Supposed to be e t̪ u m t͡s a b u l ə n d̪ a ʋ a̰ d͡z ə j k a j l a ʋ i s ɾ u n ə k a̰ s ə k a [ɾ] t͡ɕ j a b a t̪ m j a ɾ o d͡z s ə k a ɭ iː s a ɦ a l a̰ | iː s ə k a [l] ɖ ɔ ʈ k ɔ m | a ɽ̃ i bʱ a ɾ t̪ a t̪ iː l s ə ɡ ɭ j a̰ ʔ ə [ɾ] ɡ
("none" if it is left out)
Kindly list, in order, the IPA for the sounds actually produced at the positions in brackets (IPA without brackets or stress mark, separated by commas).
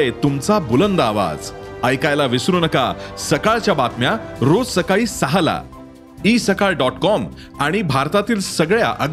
ɭ, ɭ, none